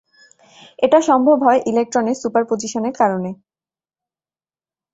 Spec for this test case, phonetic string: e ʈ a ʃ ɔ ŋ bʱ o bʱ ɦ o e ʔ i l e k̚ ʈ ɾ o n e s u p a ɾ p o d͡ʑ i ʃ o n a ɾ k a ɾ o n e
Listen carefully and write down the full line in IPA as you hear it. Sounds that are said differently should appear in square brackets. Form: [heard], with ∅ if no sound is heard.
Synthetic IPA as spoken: e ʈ a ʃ ɔ [m] bʱ o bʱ ɦ [ɔ] e ʔ i l e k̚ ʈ ɾ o n e s u p a ɾ p o d͡ʑ i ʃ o n [e] ɾ k a ɾ o n e